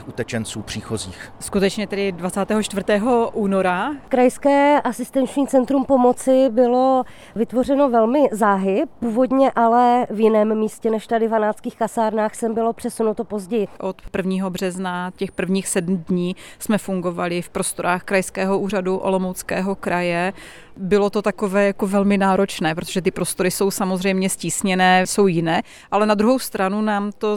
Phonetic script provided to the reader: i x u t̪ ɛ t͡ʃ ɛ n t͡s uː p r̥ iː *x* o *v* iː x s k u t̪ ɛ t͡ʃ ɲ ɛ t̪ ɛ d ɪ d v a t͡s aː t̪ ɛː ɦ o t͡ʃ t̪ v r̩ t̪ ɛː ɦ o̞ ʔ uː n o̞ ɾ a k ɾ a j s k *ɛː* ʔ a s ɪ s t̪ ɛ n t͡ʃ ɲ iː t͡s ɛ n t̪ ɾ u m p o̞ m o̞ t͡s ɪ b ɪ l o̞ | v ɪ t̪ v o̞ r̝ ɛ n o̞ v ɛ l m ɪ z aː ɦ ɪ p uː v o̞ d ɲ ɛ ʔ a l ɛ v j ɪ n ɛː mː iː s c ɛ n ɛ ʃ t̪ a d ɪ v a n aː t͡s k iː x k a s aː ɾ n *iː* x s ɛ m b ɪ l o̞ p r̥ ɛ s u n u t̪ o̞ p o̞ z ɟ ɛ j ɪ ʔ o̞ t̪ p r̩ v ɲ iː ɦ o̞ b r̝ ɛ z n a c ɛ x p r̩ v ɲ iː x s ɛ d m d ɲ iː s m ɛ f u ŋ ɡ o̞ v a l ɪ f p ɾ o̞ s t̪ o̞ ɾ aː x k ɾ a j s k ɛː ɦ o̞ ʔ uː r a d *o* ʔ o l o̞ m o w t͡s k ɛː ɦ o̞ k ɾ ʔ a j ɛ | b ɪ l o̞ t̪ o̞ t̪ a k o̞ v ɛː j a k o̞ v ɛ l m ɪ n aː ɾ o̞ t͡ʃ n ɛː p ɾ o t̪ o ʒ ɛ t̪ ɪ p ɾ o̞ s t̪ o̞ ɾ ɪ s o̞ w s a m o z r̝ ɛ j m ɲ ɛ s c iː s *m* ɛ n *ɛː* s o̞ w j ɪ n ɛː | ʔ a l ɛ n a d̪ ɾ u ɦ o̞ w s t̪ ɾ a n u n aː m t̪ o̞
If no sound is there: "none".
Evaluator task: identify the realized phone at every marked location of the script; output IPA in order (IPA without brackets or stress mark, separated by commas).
x, z, ɛː, aː, u, ɲ, ɛː